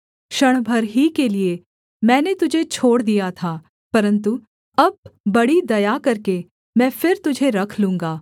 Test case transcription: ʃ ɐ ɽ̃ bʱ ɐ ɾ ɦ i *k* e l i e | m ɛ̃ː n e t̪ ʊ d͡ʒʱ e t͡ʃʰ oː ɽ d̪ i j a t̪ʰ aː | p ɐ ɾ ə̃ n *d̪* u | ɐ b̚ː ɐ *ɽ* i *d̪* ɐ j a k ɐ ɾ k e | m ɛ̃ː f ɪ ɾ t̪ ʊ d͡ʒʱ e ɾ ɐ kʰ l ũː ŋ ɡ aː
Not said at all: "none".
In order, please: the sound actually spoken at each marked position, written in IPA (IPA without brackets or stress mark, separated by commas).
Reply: k, t̪, ɽ, d̪